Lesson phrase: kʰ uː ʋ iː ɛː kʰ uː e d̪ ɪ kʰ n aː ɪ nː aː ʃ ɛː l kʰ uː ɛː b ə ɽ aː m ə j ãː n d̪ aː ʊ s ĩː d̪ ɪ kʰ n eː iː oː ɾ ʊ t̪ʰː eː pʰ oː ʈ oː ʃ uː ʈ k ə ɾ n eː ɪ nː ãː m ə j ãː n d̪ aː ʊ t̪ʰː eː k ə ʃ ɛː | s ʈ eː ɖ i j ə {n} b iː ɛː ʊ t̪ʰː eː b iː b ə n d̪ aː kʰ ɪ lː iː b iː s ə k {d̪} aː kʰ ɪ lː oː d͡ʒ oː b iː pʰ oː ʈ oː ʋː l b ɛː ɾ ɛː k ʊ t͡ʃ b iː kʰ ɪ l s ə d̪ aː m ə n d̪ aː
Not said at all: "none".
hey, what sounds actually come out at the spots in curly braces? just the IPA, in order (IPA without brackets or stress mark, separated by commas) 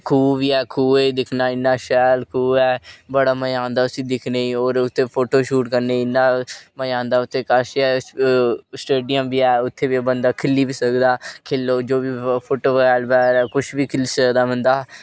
m, d̪